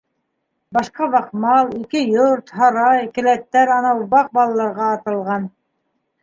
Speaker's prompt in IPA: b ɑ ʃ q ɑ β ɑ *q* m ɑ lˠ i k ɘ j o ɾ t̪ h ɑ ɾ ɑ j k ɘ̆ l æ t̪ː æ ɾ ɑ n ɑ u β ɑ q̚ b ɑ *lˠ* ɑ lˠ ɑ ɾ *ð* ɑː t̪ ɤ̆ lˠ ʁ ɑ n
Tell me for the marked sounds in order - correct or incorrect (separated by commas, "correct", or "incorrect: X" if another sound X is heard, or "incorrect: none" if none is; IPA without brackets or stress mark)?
correct, correct, incorrect: ʁ